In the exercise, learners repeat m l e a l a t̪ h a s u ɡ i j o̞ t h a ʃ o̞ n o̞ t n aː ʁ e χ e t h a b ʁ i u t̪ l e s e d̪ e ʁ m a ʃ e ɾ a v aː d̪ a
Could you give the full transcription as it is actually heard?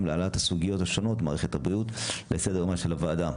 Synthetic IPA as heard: m l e a l a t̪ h a s u ɡ i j o̞ t h a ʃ o̞ n o̞ t m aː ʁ e χ e t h a b ʁ i u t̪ l e s e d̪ e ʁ m a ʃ e l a v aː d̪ a